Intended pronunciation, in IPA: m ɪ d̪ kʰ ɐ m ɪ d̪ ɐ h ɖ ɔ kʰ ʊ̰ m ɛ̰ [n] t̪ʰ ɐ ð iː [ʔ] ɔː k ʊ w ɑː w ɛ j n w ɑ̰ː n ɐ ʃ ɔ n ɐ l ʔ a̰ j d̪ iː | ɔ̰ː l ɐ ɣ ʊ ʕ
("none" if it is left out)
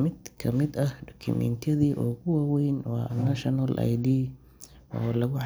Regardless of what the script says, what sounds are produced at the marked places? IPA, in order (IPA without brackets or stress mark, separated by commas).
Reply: n, ʔ